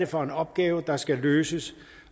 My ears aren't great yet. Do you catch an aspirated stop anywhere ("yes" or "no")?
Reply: no